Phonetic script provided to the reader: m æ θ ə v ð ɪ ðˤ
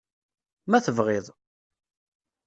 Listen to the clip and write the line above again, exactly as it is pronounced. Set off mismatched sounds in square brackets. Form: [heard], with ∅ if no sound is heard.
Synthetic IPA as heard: m æ θ ə v [ʁ] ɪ ðˤ